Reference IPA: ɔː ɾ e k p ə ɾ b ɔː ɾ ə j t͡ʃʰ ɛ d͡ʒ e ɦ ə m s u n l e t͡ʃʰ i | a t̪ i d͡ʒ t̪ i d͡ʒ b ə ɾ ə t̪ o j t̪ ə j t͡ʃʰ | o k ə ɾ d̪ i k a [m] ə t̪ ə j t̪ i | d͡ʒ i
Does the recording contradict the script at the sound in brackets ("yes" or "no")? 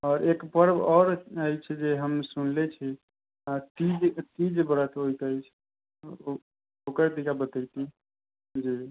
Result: yes